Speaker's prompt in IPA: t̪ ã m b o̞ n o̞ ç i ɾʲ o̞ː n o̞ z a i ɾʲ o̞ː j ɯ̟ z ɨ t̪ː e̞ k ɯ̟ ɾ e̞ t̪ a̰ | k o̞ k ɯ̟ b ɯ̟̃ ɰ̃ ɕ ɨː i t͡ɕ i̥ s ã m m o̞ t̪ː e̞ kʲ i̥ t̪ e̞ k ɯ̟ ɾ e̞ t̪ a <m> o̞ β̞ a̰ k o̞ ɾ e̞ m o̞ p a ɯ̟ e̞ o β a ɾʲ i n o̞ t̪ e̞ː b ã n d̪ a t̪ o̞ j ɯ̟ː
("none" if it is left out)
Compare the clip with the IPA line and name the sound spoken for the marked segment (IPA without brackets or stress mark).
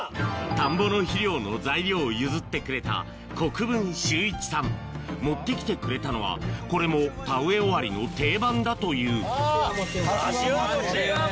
n